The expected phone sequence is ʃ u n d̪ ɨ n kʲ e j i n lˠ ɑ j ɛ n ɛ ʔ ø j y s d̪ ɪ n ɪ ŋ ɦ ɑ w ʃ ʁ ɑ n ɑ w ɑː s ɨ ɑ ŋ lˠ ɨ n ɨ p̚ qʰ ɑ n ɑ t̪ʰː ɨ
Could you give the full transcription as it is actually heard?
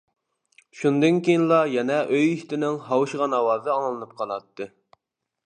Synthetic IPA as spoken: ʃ u n d̪ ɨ n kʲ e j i n lˠ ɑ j ɛ n ɛ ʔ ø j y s t̪ ɪ n ɪ ŋ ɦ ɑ w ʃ ʁ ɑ n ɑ w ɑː z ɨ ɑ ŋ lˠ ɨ n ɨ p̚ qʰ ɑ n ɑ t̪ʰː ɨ